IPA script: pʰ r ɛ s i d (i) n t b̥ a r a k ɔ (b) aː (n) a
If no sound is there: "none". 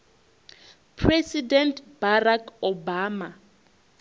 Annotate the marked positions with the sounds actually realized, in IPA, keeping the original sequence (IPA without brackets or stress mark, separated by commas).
ɛ, b, m